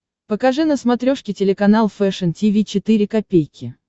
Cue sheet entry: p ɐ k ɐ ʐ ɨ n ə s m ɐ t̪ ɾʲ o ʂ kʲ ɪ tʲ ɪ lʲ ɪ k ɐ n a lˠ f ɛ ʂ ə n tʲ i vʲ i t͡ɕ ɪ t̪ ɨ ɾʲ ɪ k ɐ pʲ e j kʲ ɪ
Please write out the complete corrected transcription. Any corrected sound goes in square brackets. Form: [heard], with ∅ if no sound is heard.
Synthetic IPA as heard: p [ə] k ɐ ʐ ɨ n ə s m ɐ t̪ ɾʲ o ʂ kʲ ɪ tʲ ɪ lʲ ɪ k ɐ n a lˠ f ɛ ʂ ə n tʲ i vʲ i t͡ɕ ɪ t̪ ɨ ɾʲ ɪ k ɐ pʲ e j kʲ ɪ